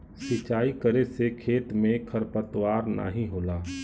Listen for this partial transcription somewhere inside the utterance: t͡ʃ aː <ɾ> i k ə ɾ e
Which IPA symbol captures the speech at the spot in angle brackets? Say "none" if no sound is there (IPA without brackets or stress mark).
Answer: none